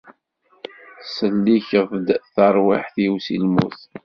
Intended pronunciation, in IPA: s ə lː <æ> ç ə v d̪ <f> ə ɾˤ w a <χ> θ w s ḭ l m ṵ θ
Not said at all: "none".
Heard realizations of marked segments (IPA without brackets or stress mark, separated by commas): i, θ, ħ